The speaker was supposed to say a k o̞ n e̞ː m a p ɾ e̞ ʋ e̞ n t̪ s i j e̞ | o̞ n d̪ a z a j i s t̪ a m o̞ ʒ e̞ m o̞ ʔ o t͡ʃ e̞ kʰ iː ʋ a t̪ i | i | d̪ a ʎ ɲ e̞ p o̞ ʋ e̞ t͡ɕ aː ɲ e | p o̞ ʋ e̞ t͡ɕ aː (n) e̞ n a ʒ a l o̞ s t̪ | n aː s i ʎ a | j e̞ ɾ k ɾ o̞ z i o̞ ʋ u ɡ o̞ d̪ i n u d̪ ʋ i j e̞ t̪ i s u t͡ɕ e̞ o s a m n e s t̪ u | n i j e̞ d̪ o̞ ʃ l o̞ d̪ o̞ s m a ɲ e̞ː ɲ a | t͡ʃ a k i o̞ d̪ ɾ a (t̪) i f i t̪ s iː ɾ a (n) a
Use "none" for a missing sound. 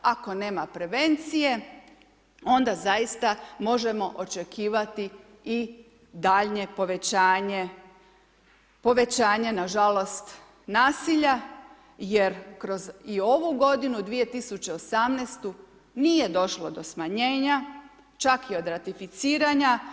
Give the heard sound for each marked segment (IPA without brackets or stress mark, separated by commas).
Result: ɲ, t̪, ɲ